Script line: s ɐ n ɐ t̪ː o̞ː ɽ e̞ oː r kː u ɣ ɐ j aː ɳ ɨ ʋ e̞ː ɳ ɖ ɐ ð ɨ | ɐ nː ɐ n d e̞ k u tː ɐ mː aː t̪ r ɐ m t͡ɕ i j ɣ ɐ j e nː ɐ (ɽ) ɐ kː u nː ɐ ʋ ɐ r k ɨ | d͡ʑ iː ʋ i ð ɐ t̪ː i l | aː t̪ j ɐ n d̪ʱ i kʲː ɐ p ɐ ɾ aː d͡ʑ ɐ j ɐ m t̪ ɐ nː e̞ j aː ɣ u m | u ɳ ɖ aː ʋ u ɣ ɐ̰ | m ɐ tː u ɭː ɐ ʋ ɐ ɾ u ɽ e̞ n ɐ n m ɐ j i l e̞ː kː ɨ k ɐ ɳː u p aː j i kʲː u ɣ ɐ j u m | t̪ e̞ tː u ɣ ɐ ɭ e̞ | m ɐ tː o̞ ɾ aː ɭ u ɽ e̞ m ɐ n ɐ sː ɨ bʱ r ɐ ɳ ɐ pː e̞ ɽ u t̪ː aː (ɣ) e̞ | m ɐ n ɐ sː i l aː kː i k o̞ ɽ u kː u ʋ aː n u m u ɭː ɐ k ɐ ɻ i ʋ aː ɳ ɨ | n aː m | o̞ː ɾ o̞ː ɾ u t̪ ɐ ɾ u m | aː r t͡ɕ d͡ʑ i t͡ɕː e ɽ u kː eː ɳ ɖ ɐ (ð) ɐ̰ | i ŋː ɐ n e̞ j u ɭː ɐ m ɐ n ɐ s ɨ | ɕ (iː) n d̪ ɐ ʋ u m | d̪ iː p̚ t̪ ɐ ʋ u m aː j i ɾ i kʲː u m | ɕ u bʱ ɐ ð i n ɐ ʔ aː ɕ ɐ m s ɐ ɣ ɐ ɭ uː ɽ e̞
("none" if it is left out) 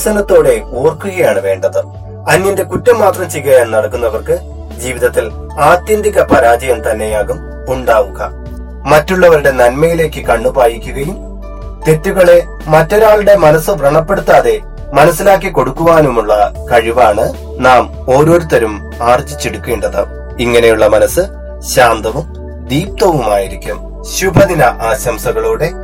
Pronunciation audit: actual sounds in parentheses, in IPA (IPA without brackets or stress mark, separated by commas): ɽ, ð, ð, aː